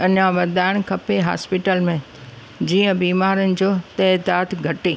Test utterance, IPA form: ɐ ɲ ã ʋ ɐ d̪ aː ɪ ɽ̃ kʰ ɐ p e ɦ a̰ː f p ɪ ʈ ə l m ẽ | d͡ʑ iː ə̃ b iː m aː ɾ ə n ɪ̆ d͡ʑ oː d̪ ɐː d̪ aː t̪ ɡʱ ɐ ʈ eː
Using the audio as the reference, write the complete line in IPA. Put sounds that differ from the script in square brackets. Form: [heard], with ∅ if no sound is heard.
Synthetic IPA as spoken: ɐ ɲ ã ʋ ɐ d̪ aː ɪ ɽ̃ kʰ ɐ p e ɦ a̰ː [s] p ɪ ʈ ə l m ẽ | d͡ʑ iː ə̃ b iː m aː ɾ ə n ɪ̆ d͡ʑ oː [t̪] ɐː d̪ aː t̪ ɡʱ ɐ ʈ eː